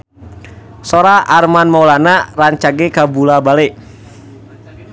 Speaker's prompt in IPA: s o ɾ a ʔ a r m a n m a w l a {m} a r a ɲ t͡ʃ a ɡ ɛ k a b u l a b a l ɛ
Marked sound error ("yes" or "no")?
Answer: yes